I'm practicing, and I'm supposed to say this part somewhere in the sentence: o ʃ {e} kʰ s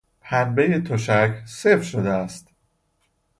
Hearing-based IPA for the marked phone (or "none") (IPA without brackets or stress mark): æ